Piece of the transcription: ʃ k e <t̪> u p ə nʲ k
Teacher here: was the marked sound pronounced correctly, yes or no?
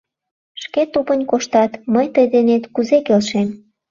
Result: yes